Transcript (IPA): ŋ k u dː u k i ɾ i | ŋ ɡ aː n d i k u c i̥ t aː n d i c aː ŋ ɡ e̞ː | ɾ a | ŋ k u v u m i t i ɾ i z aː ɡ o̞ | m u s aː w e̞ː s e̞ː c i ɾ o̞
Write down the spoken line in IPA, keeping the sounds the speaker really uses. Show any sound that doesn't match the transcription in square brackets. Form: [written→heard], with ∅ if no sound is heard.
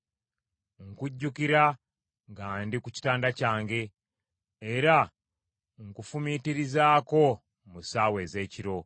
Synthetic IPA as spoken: ŋ k u [dː→ɟː] u k i ɾ [i→a] | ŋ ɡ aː n d i k u c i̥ t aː n d [i→a] c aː ŋ ɡ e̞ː | ɾ a | ŋ k u [v→f] u m i t i ɾ i z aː [ɡ→k] o̞ | m u s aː w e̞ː [s→z] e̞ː c i ɾ o̞